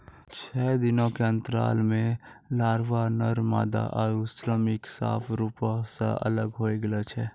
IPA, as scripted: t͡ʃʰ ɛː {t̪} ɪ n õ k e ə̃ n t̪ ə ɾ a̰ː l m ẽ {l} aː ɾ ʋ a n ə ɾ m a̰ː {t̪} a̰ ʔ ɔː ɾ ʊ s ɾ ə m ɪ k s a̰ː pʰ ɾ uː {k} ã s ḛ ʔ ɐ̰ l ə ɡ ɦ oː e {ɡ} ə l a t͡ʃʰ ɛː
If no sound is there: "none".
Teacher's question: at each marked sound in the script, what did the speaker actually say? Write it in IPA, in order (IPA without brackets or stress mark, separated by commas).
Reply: d̪, l, d̪, p, ɡ